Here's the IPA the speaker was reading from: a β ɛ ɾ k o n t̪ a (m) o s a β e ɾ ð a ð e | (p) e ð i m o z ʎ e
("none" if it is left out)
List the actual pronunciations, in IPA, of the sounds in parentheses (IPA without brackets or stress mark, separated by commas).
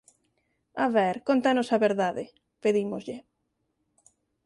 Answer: n, p